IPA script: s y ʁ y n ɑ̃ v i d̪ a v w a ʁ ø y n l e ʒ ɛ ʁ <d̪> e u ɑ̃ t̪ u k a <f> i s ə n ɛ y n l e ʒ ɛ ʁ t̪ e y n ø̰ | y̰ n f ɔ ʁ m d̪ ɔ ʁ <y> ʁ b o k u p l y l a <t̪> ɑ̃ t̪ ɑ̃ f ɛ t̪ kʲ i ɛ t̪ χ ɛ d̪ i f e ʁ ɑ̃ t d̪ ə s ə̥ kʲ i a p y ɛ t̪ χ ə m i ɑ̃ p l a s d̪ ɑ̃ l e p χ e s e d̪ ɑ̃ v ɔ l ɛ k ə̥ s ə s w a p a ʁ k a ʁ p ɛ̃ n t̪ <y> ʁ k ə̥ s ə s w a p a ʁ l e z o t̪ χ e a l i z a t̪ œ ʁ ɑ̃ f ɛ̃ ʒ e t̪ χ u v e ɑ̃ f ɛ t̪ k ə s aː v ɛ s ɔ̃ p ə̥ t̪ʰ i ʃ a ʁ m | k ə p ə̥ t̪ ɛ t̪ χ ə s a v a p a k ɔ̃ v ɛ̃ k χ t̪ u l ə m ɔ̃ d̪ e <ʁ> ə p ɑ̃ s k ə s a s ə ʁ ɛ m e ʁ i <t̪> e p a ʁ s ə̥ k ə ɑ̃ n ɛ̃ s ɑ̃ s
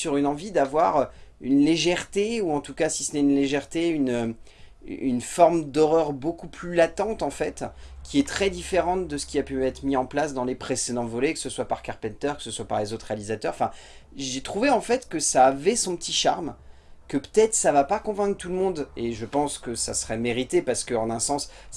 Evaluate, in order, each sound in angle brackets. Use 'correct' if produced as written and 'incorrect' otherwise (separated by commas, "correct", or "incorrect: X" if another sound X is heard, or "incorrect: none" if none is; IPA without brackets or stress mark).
incorrect: t̪, incorrect: s, incorrect: œ, correct, incorrect: œ, incorrect: ʒ, correct